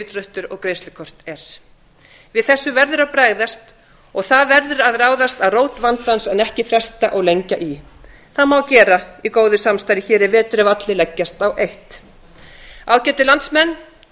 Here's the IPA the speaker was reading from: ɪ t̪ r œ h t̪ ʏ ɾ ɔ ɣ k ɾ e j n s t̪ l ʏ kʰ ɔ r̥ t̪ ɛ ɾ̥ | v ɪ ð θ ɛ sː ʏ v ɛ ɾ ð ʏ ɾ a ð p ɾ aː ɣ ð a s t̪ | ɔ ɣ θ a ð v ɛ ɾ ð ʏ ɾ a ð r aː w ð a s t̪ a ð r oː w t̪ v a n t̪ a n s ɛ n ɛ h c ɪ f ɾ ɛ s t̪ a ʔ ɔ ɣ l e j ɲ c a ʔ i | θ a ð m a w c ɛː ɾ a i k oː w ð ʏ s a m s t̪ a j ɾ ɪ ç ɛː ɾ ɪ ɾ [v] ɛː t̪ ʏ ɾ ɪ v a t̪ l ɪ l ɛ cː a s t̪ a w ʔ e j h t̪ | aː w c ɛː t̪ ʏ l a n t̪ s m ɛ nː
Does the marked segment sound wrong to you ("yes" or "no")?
no